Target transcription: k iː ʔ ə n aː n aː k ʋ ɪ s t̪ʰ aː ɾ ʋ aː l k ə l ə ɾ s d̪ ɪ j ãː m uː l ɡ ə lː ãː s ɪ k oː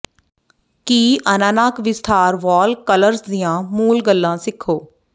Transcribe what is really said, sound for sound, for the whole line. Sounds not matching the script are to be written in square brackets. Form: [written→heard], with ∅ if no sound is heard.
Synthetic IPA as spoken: k iː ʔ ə n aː n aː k ʋ ɪ s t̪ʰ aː ɾ ʋ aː l k ə l ə ɾ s d̪ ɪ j ãː m uː l ɡ ə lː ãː s ɪ [k→kʰ] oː